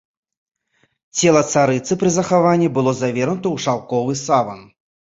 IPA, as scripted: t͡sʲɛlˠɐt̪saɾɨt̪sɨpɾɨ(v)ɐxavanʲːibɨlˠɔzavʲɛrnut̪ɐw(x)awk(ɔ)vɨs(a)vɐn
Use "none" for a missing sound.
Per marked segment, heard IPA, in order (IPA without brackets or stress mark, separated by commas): z, ʂ, ɔ, a